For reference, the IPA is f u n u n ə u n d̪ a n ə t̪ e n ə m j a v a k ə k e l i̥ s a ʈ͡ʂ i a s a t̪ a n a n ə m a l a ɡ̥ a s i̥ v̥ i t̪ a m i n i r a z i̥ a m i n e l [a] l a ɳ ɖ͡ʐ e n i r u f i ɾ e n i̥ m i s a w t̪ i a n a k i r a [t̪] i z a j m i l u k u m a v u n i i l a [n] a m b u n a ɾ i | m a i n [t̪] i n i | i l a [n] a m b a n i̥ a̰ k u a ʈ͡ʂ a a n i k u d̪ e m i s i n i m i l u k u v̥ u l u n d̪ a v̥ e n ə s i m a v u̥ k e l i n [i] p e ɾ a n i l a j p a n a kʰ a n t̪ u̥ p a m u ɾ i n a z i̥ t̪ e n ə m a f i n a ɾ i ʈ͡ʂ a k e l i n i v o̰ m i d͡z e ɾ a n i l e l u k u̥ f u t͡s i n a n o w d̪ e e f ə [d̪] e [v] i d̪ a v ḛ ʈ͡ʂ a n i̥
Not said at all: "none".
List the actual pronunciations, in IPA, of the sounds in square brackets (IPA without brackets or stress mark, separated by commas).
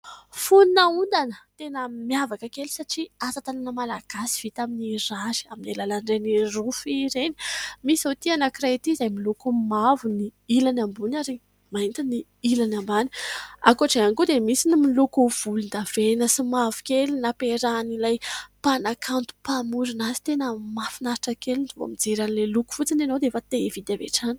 a, t̪, n, t̪, n, a, t̪, v